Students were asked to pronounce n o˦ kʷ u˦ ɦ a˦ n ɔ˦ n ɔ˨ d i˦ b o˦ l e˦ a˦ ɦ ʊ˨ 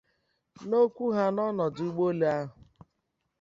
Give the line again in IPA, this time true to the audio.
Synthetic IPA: n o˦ kʷ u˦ ɦ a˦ n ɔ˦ n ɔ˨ d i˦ ɡ͡b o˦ l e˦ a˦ ɦ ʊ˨